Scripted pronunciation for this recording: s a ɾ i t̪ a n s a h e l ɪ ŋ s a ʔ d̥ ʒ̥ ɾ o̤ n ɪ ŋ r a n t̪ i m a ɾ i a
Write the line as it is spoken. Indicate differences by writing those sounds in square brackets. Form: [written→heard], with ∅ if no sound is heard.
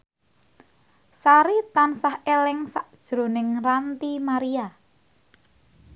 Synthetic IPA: s a ɾ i t̪ a n s a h e l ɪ ŋ s a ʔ d̥ ʒ̥ ɾ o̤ n ɪ ŋ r a n t̪ i m a ɾ i a